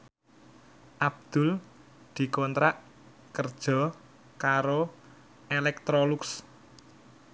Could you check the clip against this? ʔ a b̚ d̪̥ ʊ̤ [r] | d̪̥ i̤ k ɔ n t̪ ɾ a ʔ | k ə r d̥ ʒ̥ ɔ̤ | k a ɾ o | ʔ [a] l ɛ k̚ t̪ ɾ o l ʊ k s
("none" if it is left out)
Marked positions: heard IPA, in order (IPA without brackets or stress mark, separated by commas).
l, e